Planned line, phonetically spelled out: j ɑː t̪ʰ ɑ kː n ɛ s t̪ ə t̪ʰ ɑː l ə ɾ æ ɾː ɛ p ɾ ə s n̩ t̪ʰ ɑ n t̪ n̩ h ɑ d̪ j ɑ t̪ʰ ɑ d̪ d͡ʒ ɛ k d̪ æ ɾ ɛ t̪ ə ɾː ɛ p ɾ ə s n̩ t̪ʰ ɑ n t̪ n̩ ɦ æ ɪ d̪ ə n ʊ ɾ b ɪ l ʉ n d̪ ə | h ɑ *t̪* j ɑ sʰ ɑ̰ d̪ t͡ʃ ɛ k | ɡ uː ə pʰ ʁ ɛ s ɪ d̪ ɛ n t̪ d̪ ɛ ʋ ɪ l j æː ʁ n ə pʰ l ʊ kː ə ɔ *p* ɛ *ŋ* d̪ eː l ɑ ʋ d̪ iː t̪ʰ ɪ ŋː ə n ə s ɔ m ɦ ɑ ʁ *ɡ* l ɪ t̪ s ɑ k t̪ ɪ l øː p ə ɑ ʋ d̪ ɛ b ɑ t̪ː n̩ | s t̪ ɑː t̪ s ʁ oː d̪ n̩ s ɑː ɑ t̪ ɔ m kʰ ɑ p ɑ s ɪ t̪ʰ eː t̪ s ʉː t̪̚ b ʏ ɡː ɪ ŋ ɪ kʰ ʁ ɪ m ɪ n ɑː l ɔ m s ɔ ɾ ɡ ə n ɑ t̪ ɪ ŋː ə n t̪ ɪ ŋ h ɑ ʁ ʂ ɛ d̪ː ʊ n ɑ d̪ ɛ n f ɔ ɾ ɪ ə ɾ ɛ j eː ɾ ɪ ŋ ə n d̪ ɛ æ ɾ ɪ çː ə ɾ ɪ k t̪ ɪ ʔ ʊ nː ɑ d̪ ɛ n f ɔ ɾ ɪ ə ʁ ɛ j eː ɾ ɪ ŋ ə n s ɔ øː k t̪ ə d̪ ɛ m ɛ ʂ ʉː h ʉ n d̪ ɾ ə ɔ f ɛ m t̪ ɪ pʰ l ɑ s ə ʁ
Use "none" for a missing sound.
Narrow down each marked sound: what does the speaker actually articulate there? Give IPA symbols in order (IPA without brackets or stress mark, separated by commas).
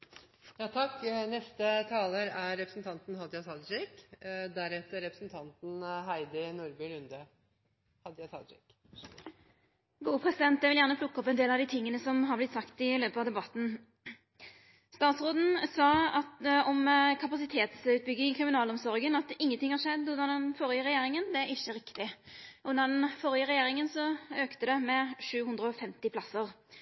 d̪, p, n, b